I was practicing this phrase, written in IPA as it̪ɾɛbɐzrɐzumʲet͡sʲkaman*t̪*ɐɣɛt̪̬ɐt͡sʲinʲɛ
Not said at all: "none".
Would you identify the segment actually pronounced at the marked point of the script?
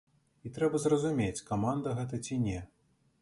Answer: d̪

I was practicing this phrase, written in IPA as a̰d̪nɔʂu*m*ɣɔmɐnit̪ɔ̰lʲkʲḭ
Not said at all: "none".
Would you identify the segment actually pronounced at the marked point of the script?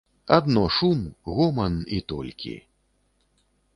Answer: m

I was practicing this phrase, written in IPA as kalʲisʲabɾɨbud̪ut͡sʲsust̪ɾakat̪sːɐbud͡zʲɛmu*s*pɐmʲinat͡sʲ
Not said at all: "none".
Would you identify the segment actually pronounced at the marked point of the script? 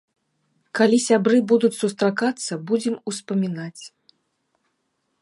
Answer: s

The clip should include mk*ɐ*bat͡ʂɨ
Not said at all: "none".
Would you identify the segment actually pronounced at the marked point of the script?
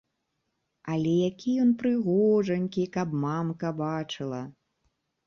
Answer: ɐ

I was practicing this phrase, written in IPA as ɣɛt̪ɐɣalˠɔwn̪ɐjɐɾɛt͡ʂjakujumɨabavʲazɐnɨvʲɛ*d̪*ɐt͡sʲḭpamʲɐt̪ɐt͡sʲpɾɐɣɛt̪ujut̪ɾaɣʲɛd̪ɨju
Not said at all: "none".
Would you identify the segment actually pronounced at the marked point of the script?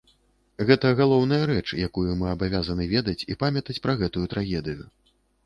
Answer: d̪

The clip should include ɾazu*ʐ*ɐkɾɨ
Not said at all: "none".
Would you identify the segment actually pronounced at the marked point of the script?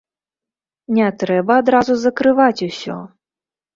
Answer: z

